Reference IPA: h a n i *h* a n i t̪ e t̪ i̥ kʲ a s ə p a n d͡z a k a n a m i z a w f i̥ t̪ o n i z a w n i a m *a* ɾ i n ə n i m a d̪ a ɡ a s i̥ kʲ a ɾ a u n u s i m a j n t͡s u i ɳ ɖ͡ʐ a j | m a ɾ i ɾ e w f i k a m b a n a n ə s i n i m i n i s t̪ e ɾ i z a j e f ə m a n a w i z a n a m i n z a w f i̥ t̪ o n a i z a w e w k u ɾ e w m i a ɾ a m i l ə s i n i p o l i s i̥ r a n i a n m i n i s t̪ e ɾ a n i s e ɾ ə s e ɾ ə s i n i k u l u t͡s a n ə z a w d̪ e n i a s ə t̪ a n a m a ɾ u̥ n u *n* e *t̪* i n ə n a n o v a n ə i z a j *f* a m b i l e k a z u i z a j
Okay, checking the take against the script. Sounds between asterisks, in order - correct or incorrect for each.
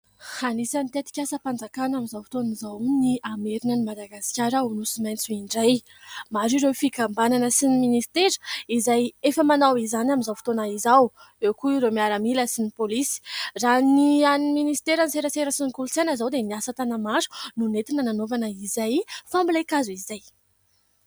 incorrect: s, incorrect: e, correct, correct, correct

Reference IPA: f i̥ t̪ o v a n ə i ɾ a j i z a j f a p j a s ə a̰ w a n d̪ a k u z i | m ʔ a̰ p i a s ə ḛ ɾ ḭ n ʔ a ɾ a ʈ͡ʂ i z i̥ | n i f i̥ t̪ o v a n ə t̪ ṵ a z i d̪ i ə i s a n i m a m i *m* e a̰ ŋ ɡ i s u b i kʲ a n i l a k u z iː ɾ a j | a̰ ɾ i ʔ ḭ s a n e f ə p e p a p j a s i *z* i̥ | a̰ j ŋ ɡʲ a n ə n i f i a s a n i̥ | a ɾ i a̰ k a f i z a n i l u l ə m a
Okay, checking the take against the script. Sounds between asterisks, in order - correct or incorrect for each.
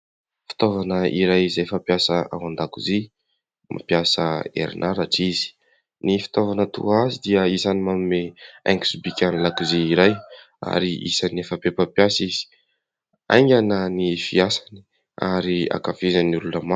correct, correct

